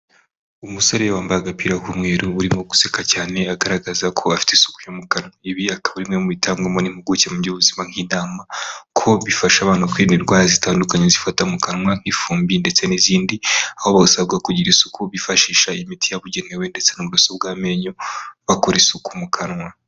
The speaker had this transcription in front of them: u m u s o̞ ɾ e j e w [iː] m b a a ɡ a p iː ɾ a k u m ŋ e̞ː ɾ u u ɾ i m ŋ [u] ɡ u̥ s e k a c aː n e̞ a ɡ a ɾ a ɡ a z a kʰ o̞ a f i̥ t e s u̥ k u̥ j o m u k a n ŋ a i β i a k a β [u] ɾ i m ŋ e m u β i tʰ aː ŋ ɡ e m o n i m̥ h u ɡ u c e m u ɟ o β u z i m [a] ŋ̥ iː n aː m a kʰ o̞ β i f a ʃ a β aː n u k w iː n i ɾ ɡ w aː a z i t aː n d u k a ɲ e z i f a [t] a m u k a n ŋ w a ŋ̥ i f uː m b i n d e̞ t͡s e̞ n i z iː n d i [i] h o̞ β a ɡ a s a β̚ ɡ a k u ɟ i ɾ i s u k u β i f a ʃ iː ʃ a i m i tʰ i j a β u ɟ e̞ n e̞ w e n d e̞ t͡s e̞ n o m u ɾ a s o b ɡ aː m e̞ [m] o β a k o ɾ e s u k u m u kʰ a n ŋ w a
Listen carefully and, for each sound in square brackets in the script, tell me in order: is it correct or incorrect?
incorrect: aː, incorrect: o, correct, correct, correct, incorrect: a, incorrect: ɲ

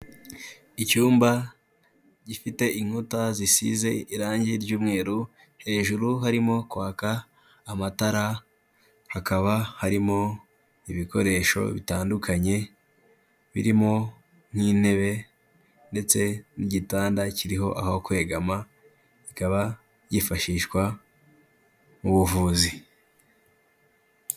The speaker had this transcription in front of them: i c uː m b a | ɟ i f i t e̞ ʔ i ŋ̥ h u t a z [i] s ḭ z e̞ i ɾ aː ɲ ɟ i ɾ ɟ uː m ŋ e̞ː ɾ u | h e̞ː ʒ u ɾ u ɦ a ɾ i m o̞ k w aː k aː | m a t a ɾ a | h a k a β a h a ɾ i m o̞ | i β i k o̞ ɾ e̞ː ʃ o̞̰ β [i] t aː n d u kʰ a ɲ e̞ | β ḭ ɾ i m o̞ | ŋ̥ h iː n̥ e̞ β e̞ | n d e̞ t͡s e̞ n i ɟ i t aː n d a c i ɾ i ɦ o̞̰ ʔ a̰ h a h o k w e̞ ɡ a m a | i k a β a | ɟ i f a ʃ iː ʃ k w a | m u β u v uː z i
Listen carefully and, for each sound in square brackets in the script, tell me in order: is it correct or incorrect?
correct, correct

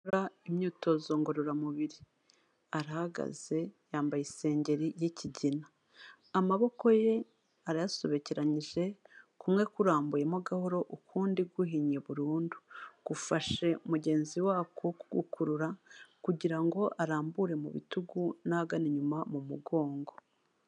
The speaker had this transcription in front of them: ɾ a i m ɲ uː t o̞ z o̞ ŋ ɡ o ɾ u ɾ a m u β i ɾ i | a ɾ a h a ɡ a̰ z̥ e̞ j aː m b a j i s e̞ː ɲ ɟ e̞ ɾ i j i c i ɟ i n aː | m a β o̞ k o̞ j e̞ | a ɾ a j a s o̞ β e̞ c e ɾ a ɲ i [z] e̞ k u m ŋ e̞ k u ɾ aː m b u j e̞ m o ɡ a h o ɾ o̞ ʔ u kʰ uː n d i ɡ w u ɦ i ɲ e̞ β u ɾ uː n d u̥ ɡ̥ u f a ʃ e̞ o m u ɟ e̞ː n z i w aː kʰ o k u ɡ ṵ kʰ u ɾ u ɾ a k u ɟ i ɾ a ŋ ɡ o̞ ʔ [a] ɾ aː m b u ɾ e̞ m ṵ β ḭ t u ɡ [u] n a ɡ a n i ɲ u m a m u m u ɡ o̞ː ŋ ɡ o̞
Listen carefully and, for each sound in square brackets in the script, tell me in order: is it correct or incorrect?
incorrect: ʒ, correct, correct

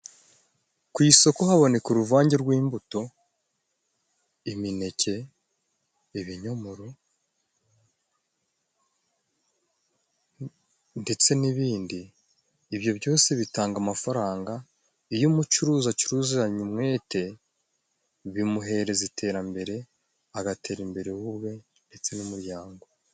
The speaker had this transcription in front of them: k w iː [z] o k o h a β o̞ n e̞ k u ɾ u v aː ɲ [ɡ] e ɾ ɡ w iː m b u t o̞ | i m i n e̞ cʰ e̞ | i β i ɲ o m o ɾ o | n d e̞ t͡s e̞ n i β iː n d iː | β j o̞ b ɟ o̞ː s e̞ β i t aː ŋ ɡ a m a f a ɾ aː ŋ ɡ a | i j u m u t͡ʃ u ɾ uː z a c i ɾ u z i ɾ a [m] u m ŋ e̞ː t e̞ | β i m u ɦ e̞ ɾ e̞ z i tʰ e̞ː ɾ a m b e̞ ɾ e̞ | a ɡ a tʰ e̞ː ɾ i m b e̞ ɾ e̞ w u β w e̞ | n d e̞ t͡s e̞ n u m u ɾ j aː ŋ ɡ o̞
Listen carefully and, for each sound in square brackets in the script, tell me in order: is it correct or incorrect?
incorrect: s, incorrect: ɟ, incorrect: ɲ

